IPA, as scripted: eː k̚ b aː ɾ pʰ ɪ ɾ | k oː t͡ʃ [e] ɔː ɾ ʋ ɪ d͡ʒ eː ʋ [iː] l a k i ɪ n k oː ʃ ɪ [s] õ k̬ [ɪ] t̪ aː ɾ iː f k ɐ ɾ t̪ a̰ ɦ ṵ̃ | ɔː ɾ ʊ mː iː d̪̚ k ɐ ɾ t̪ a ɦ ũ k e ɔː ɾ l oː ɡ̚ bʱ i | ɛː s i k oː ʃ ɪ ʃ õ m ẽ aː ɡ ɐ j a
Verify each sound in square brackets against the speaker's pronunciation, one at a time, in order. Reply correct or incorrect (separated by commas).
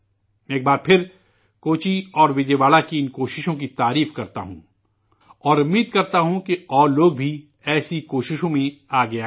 incorrect, incorrect, incorrect, incorrect